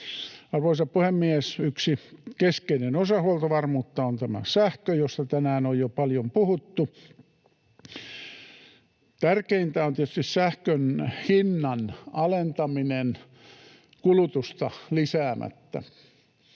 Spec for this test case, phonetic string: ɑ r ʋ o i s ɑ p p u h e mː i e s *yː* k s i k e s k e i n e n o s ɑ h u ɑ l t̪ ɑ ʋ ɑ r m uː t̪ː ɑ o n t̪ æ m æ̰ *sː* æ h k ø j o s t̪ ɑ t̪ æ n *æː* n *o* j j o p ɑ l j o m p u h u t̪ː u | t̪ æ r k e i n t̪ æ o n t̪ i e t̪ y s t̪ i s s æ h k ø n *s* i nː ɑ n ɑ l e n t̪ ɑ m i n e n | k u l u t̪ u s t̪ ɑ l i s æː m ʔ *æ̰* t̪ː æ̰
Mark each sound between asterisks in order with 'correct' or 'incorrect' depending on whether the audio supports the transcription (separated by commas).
incorrect, incorrect, correct, correct, incorrect, correct